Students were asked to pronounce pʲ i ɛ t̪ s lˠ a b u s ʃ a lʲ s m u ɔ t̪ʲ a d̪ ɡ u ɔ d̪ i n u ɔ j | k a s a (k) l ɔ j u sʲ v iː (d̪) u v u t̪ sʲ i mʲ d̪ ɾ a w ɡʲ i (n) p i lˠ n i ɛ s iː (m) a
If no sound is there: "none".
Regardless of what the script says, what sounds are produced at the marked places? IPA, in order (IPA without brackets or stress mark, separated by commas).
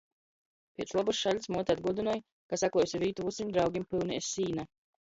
k, t̪, m, n